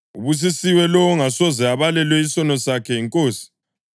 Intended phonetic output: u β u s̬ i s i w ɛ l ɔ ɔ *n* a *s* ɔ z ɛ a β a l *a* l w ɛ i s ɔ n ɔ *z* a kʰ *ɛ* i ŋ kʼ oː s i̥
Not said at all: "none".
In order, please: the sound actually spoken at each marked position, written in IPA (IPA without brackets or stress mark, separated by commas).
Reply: ŋ, s, ɛ, s, ɛ